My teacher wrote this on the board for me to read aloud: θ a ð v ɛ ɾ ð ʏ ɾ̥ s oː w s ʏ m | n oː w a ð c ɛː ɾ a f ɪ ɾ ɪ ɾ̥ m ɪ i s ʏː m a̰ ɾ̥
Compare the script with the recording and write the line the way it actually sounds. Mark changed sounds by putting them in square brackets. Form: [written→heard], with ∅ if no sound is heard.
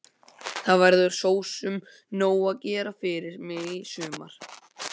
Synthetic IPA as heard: θ a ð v ɛ ɾ ð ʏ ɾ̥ s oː w s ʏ m | n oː w a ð c ɛː ɾ a f ɪ ɾ ɪ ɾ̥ m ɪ i s ʏː m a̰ ɾ̥

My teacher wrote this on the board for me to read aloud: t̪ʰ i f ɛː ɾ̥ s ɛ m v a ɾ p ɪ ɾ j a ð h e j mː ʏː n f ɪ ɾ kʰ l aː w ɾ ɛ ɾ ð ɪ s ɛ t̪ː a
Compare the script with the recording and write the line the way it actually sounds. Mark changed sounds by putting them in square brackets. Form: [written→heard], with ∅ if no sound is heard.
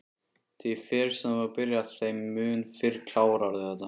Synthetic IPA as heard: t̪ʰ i f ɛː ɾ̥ s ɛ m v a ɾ p ɪ ɾ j a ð [h→θ] e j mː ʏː n f ɪ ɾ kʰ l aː w ɾ [ɛ→a] ɾ ð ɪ [s→θ] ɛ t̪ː a

